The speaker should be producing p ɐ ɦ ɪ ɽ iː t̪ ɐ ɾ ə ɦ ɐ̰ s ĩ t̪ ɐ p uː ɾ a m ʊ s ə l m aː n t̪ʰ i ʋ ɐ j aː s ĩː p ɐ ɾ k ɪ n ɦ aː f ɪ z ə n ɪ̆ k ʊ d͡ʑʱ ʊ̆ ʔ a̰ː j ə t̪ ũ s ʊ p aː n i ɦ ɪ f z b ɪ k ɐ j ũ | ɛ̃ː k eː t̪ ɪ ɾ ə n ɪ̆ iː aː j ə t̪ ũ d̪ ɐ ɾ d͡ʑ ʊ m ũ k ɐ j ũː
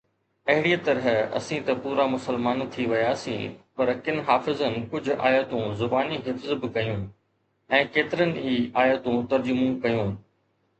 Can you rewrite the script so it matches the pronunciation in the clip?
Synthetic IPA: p ɐ ɦ ɪ ɽ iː t̪ ɐ ɾ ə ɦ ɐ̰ s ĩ t̪ ɐ p uː ɾ a m ʊ s ə l m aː n t̪ʰ i ʋ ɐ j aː s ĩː p ɐ ɾ k ɪ n ɦ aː f ɪ z ə n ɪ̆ k ʊ d͡ʑʱ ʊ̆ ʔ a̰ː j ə t̪ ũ z ʊ b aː n i ɦ ɪ f z b ɪ k ɐ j ũ | ɛ̃ː k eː t̪ ɪ ɾ ə n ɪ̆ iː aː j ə t̪ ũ t̪ ɐ ɾ d͡ʑ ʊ m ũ k ɐ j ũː